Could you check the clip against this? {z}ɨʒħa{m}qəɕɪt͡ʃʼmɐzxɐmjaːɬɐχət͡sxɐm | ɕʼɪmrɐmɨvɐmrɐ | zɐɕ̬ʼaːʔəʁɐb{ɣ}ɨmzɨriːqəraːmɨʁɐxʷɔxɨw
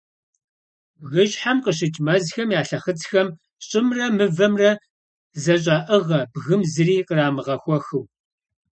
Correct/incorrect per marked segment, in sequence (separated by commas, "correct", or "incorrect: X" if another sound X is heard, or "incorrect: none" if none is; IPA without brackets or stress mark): incorrect: ɣ, correct, correct